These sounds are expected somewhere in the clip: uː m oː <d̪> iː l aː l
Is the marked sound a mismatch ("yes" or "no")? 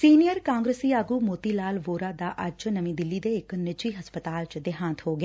yes